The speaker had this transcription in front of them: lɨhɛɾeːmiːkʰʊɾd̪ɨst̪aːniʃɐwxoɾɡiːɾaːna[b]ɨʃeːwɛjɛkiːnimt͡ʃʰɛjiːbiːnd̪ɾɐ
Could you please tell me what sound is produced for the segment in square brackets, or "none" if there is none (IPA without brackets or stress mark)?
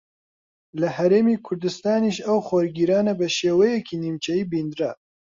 b